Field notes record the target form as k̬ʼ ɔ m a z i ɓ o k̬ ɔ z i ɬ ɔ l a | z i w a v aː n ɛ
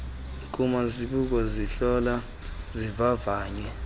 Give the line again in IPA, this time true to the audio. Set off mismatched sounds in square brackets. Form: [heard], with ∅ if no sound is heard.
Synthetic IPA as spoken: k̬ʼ [u] m a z i ɓ [u] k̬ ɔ z i ɬ ɔ l a | z i [v] a v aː [ɲ] ɛ